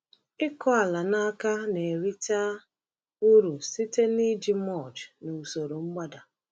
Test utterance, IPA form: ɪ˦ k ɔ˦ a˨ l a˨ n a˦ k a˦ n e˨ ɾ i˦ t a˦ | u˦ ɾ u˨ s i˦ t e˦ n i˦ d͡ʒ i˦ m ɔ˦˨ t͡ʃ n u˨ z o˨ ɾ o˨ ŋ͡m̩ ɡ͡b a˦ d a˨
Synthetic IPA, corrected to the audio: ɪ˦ k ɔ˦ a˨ l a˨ n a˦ k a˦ n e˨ ɾ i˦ t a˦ | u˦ ɾ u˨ s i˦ t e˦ n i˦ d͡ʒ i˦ m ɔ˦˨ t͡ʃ n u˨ s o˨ ɾ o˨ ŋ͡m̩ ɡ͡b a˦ d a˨